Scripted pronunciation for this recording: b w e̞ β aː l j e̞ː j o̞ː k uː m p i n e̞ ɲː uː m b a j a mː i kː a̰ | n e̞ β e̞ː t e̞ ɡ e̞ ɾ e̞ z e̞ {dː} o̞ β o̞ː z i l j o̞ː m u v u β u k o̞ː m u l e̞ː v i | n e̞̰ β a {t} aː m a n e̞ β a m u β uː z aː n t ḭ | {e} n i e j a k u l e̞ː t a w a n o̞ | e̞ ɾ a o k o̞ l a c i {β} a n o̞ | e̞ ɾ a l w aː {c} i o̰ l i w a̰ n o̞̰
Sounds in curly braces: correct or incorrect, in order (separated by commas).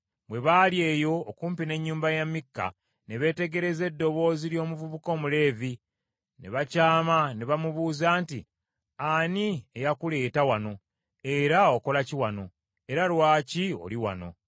correct, incorrect, incorrect, incorrect, correct